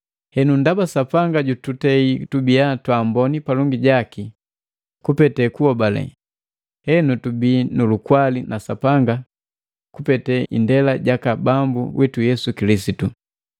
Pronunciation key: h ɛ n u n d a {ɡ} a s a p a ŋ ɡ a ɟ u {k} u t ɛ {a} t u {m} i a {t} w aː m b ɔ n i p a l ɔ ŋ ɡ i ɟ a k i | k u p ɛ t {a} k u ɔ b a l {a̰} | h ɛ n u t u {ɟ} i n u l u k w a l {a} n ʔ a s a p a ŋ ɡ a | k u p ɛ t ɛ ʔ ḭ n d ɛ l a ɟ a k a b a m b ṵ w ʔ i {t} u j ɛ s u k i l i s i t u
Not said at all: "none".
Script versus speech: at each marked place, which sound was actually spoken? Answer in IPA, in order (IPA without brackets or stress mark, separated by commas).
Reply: b, t, i, b, t, ɛ, ɛ̰, b, i, t